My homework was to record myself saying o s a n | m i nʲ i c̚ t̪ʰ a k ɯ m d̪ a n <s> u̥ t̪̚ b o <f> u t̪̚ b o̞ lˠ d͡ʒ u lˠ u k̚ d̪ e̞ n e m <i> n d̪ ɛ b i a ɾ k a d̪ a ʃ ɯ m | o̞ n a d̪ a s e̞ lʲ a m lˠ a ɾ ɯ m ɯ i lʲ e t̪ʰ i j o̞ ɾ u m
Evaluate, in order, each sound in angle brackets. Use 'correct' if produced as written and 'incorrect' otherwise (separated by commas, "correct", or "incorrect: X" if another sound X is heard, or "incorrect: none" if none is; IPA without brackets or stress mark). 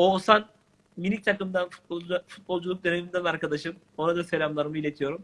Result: incorrect: f, correct, correct